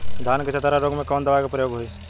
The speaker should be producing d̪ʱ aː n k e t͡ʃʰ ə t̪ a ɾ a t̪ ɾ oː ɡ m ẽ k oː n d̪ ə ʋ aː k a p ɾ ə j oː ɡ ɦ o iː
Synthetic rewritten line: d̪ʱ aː n k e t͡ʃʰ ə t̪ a ɾ a ɾ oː ɡ m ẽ k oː n d̪ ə ʋ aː k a p ɾ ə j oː ɡ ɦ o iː